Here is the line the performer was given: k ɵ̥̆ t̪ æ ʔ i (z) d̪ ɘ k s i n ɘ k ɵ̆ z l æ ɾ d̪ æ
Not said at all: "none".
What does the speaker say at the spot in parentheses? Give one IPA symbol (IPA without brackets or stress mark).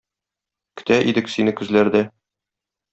none